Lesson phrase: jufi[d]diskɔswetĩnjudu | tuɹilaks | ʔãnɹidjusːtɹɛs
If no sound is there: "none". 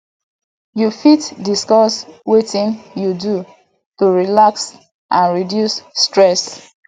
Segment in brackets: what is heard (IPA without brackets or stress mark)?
t